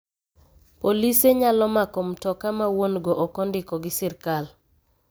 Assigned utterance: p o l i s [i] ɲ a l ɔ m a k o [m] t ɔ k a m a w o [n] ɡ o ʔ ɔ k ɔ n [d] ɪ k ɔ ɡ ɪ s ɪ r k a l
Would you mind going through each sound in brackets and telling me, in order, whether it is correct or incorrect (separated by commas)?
incorrect, correct, correct, correct